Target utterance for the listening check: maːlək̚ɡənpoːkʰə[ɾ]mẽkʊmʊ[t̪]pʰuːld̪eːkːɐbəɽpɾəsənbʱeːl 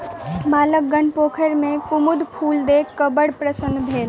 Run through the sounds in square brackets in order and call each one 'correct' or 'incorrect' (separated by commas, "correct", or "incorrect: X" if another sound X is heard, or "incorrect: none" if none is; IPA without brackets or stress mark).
correct, incorrect: d̪